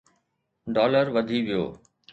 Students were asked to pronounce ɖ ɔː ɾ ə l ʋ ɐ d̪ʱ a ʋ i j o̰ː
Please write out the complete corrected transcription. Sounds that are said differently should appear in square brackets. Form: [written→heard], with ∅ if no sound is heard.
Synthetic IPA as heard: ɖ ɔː [ɾ→l] ə [l→ɾ] ʋ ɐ d̪ʱ [a→i] ʋ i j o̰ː